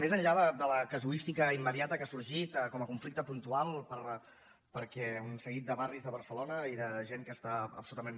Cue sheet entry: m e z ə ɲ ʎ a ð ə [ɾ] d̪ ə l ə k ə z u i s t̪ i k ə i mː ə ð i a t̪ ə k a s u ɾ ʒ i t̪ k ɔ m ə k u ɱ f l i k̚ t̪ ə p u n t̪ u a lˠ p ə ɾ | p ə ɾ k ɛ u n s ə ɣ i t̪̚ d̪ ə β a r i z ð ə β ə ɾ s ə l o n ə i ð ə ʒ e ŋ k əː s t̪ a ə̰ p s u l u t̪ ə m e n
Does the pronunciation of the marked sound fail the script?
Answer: yes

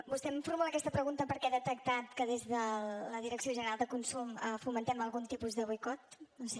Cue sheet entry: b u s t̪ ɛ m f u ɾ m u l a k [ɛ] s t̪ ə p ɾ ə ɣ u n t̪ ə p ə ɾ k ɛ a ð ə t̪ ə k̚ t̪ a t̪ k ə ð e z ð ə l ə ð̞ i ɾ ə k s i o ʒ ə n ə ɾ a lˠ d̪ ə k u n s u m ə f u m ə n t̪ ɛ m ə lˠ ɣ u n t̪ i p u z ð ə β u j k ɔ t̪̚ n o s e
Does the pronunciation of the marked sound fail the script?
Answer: no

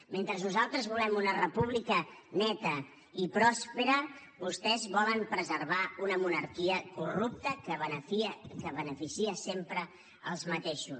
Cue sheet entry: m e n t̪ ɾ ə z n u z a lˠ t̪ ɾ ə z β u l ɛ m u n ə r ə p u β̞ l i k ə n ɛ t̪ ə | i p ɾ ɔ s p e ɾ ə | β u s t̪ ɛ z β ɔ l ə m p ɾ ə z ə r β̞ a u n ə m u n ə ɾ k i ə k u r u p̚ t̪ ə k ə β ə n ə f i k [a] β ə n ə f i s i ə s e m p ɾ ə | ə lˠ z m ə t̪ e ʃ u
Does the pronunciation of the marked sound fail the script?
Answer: yes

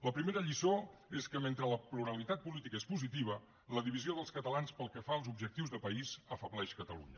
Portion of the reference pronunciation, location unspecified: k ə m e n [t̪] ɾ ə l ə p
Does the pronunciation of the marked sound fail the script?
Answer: no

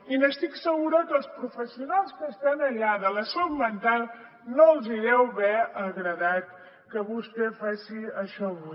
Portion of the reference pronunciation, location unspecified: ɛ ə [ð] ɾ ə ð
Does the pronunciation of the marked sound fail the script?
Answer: yes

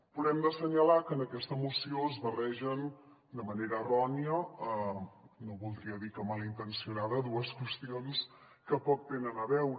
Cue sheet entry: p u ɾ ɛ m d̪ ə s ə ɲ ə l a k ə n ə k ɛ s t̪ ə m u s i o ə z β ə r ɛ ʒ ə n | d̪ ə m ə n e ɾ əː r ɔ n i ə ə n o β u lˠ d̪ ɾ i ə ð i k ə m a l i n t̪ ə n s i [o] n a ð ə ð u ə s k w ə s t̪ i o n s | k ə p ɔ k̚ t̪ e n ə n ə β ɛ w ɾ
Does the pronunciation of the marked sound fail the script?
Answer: yes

